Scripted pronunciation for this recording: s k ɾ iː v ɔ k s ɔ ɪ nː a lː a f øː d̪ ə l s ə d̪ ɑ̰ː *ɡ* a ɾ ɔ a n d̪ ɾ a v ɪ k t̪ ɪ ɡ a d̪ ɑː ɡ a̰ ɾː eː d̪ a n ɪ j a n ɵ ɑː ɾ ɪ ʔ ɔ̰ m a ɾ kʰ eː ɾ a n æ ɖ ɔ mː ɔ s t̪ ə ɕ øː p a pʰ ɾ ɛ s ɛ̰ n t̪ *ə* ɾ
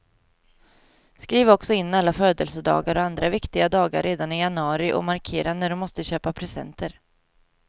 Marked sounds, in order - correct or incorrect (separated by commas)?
correct, correct